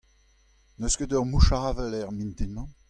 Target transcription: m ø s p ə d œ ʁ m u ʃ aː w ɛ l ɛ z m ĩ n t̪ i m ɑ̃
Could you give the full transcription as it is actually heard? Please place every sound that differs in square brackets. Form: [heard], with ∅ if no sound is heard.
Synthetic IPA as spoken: [n] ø s [k] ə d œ ʁ m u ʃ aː [v] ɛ l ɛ [ʁ] m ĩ n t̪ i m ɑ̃